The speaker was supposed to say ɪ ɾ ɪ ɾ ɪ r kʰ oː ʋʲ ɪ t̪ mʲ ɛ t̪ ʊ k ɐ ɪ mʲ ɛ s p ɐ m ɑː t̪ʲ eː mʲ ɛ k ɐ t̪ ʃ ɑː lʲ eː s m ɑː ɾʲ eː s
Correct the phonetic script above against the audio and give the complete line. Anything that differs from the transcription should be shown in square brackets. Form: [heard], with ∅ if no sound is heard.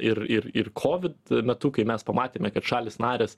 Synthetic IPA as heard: ɪ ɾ ɪ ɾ ɪ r kʰ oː ʋʲ ɪ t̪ mʲ ɛ t̪ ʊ k ɐ ɪ mʲ ɛ s p ɐ m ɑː t̪ʲ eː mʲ ɛ k ɐ t̪ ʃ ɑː lʲ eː s [n] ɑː ɾʲ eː s

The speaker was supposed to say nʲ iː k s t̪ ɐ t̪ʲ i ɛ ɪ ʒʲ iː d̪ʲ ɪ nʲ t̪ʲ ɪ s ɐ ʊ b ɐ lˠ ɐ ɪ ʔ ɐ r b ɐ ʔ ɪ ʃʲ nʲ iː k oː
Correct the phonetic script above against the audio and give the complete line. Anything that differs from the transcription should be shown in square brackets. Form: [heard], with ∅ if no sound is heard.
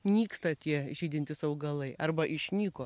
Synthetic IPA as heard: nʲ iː k s t̪ ɐ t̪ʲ i ɛ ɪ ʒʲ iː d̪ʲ ɪ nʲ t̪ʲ ɪ s ɐ ʊ [ɡ] ɐ lˠ ɐ ɪ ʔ ɐ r b ɐ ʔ ɪ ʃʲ nʲ iː k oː

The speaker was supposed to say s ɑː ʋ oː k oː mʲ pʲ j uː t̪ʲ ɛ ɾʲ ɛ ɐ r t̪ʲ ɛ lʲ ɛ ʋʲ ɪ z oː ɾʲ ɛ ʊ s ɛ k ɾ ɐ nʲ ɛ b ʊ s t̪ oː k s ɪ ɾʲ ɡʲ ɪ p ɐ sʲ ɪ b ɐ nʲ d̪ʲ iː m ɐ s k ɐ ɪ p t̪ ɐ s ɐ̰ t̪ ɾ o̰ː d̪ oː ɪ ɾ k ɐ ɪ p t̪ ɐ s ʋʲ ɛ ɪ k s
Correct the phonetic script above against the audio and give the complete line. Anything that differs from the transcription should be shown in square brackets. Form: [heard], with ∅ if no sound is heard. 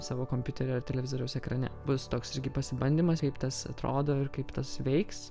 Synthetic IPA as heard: s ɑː ʋ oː k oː mʲ pʲ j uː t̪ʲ ɛ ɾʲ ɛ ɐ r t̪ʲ ɛ lʲ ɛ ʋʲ ɪ z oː ɾʲ ɛ ʊ s ɛ k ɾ ɐ nʲ ɛ b ʊ s t̪ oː k s ɪ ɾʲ ɡʲ ɪ p ɐ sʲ ɪ b ɐ nʲ d̪ʲ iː m ɐ s k ɐ ɪ p t̪ ɐ s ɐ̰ t̪ ɾ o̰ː d̪ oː ɪ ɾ k ɐ ɪ p t̪ ɐ s ʋʲ ɛ ɪ k s

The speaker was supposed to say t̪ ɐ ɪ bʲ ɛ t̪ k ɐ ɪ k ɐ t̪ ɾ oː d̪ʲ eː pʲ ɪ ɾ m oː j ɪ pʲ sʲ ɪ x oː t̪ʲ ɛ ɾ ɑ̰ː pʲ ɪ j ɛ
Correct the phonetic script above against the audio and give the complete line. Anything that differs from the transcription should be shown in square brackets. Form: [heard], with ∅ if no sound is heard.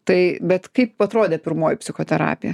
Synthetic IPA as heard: t̪ ɐ ɪ bʲ ɛ t̪ k ɐ ɪ [p] ɐ t̪ ɾ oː d̪ʲ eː pʲ ɪ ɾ m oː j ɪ pʲ sʲ ɪ x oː t̪ʲ ɛ ɾ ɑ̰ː pʲ ɪ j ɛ

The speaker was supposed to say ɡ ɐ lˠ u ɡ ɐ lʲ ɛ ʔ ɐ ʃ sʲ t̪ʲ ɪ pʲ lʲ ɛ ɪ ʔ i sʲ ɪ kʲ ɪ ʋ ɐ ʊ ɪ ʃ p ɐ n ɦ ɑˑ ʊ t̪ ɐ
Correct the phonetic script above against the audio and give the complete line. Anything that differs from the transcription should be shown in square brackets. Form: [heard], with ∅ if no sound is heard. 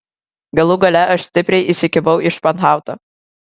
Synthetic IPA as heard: ɡ ɐ lˠ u ɡ ɐ lʲ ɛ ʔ ɐ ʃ sʲ t̪ʲ ɪ pʲ [ɾʲ] ɛ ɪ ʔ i sʲ ɪ kʲ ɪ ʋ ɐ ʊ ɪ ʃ p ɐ n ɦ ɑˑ ʊ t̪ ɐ

